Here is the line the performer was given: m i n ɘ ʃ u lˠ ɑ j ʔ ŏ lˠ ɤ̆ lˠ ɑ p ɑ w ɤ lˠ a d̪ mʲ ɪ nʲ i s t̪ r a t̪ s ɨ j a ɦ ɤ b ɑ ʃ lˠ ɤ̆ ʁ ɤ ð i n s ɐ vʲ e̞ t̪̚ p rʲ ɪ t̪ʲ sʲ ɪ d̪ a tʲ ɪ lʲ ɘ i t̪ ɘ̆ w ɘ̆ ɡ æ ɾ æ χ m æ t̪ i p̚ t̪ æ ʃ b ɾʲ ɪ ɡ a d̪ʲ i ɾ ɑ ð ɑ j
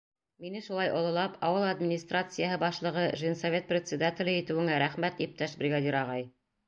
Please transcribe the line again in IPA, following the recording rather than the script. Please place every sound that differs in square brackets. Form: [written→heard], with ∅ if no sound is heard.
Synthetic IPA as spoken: m i n ɘ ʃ u lˠ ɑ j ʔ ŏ lˠ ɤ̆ lˠ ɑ p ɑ w ɤ lˠ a d̪ mʲ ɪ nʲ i s t̪ r a t̪ s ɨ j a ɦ ɤ b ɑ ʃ lˠ ɤ̆ ʁ ɤ [ð→ʒ] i n s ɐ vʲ e̞ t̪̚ p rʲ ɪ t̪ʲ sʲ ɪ d̪ a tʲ ɪ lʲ ɘ i t̪ ɘ̆ w ɘ̆ [ɡ→ŋ] æ ɾ æ χ m æ t̪ i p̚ t̪ æ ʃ b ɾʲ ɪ ɡ a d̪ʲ i ɾ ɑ [ð→ʁ] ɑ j